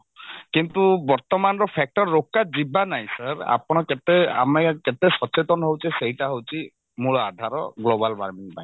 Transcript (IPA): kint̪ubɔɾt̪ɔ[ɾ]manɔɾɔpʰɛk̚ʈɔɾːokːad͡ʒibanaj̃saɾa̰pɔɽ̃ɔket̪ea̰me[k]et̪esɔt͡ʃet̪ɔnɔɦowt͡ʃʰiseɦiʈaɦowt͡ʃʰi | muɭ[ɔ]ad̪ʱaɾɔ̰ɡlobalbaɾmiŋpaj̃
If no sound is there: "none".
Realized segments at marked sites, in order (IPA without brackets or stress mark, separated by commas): none, k, ɔ